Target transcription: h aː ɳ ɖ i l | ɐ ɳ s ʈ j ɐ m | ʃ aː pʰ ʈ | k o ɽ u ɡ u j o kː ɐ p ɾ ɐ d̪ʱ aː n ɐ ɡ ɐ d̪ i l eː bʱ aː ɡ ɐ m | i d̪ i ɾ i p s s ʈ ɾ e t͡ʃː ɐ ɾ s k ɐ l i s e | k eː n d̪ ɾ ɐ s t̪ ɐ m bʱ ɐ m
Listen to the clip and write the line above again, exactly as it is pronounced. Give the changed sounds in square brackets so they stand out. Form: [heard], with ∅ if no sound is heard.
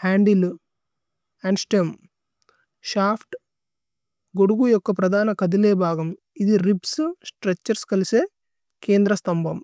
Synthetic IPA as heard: h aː ɳ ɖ i l | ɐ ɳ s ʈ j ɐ m | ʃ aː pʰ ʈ | [ɡ] o ɽ u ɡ u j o kː ɐ p ɾ ɐ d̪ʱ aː n ɐ [k] ɐ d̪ i l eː bʱ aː ɡ ɐ m | i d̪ i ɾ i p s s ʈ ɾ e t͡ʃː ɐ ɾ s k ɐ l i s e | k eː n d̪ ɾ ɐ s t̪ ɐ m bʱ ɐ m